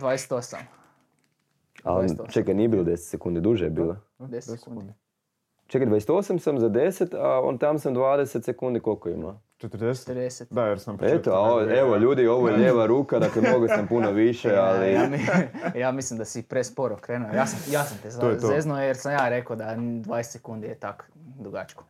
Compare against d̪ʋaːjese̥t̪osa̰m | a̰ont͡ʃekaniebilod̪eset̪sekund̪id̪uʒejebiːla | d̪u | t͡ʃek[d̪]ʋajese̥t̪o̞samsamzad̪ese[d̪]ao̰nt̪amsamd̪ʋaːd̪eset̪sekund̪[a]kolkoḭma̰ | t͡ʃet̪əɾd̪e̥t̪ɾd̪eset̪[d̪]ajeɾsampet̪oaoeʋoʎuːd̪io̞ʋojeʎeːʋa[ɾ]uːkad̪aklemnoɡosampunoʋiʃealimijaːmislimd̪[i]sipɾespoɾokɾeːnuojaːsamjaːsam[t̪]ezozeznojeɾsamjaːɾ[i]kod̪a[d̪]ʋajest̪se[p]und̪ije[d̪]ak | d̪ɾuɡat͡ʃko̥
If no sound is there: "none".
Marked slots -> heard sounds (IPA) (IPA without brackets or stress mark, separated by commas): d̪, t̪, i, d̪, ɾ, a, t̪, e, d̪, k, t̪